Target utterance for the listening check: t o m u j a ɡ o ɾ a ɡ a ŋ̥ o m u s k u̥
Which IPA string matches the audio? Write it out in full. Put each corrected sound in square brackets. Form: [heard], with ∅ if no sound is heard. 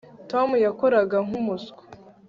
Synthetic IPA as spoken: t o m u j a [k] o ɾ a ɡ a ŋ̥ [u] m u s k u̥